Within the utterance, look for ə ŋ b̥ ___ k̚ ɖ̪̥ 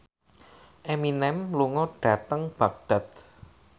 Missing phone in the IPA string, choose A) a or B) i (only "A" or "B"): A